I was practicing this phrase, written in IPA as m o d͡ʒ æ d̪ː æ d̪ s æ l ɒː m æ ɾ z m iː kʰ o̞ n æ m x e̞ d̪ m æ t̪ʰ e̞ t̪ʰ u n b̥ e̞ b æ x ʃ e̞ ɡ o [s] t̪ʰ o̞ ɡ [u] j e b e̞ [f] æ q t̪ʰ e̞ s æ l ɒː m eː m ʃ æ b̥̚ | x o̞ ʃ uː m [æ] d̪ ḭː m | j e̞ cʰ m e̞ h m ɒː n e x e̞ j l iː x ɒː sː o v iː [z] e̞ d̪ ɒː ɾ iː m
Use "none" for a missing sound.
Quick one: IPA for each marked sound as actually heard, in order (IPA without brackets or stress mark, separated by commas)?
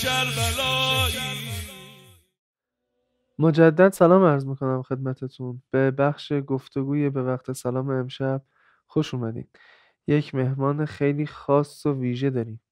f, uː, v, æ, ʒ